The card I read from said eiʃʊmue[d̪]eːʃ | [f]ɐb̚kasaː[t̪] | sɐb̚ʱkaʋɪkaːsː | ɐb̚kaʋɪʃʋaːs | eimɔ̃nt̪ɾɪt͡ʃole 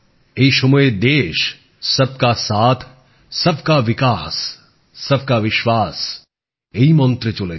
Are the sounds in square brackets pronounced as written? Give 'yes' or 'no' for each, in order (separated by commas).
yes, no, no